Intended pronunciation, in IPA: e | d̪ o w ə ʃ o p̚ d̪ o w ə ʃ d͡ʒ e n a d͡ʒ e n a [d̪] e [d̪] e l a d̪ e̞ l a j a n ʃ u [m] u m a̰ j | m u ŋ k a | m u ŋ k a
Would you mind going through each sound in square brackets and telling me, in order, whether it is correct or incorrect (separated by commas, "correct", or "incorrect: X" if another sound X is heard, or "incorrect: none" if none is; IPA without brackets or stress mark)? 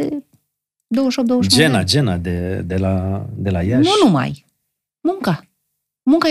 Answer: correct, correct, incorrect: n